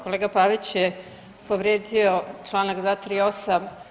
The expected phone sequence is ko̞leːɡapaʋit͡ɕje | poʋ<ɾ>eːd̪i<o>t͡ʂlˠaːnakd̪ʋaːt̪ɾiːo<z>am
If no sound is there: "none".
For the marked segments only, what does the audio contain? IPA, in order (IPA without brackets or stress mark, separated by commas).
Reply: ɾ, o, s